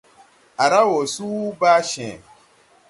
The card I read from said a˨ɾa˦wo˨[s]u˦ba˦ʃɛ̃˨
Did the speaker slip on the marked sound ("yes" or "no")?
no